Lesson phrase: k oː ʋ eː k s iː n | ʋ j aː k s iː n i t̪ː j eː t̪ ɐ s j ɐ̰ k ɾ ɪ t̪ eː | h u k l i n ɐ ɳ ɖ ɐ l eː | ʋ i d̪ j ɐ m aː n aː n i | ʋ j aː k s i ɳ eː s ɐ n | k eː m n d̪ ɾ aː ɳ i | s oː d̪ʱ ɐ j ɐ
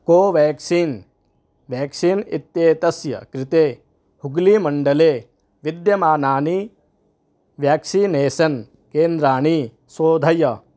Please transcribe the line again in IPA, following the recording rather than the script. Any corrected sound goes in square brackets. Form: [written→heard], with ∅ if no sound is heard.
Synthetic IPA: k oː ʋ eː k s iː n | ʋ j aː k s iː n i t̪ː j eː t̪ ɐ s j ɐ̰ k ɾ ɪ t̪ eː | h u [k→ɡ] l i [n→m] ɐ ɳ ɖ ɐ l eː | ʋ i d̪ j ɐ m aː n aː n i | ʋ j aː k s i [ɳ→n] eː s ɐ n | k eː [m→∅] n d̪ ɾ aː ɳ i | s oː d̪ʱ ɐ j ɐ